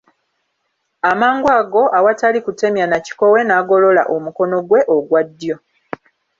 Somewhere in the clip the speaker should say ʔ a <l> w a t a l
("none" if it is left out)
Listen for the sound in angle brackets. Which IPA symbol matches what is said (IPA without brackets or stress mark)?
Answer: none